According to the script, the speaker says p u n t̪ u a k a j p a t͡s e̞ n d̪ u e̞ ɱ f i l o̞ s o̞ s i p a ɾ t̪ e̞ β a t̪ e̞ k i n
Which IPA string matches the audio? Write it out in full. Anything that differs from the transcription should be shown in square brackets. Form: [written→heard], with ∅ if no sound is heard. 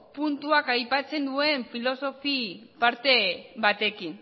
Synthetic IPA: p u n t̪ u a k a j p a t͡s e̞ n d̪ u e̞ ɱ f i l o̞ s o̞ [s→f] i p a ɾ t̪ e̞ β a t̪ e̞ k i n

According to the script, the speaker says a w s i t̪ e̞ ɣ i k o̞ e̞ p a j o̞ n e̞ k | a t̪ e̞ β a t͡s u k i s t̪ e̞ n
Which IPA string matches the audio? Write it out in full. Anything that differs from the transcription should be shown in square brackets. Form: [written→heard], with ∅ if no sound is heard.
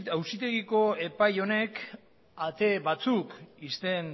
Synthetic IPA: a w s i t̪ e̞ ɣ i k o̞ e̞ p a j o̞ n e̞ k | a t̪ e̞ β a t͡s u k i s t̪ e̞ n

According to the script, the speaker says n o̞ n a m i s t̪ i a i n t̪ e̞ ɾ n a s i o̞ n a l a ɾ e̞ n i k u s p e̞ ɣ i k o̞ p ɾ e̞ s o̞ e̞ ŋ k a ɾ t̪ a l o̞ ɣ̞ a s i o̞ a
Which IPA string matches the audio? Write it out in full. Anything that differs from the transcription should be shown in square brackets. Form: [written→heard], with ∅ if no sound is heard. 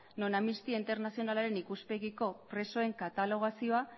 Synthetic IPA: n o̞ n a m i s t̪ i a i n t̪ e̞ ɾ n a s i o̞ n a l a ɾ e̞ n i k u s p e̞ ɣ i k o̞ p ɾ e̞ s o̞ e̞ ŋ k a [ɾ→∅] t̪ a l o̞ ɣ̞ a s i o̞ a

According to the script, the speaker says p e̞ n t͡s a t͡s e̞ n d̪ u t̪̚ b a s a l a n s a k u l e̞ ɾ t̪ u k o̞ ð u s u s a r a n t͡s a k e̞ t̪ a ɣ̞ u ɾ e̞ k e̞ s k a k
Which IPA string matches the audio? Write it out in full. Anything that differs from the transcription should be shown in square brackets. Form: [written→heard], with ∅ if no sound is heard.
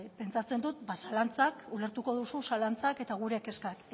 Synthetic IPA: p e̞ n t͡s a t͡s e̞ n d̪ u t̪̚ b a s a l a n [s→t͡s] a k u l e̞ ɾ t̪ u k o̞ ð u s u s a [r→l] a n t͡s a k e̞ t̪ a ɣ̞ u ɾ e̞ k e̞ s k a k

